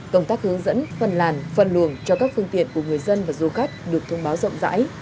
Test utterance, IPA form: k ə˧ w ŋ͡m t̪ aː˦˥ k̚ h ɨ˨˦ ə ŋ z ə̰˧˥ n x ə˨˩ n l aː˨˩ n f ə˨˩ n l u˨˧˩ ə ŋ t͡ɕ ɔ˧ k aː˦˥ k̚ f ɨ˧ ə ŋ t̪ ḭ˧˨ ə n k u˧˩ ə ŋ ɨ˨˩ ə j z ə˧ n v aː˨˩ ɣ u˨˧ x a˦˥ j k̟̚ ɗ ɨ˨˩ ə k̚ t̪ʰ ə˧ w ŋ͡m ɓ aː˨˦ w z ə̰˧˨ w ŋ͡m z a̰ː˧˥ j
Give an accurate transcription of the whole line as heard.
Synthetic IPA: k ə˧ w ŋ͡m t̪ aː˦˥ k̚ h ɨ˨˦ ə ŋ z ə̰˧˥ n f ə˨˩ n l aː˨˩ n f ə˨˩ n l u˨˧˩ ə ŋ t͡ɕ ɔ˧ k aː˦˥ k̚ f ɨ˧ ə ŋ t̪ ḭ˧˨ ə n k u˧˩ ə ŋ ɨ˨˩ ə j z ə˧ n v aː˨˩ z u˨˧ x a˦˥ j k̟̚ ɗ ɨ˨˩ ə k̚ t̪ʰ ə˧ w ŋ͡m ɓ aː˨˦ w z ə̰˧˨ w ŋ͡m z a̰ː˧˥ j